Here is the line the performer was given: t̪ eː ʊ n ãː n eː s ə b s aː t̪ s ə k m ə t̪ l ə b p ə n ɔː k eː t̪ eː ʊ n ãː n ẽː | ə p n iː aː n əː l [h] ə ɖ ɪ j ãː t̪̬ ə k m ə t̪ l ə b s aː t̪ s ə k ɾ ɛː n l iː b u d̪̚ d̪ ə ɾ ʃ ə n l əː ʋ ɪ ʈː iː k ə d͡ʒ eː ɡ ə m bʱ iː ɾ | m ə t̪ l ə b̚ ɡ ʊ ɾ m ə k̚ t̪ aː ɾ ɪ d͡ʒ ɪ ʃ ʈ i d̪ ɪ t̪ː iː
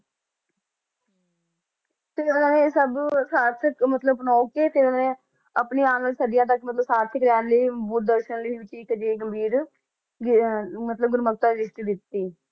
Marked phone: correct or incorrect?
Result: incorrect